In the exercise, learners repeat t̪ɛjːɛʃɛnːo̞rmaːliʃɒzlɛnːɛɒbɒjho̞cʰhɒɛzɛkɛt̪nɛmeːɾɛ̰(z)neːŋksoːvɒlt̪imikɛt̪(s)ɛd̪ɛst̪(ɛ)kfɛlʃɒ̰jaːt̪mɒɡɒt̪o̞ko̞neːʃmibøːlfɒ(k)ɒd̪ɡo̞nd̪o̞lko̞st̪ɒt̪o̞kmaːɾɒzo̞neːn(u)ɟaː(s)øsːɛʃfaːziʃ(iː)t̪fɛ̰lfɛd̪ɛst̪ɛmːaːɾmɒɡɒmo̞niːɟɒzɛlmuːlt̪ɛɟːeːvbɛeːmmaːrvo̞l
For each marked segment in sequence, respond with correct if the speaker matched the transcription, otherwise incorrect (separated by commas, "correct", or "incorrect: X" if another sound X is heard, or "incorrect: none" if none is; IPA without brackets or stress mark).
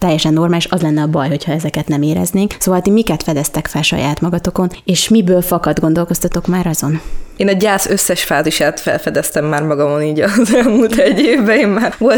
correct, incorrect: f, correct, correct, incorrect: ɒ, correct, incorrect: aː